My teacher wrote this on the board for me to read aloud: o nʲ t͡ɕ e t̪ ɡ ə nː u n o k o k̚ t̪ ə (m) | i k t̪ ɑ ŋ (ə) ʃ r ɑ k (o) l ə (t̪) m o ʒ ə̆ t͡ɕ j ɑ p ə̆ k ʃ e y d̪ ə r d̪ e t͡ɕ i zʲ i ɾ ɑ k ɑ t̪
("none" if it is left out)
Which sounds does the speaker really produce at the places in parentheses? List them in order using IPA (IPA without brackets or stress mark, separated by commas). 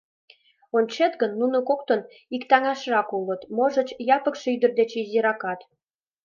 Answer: n, ɑ, u, t̪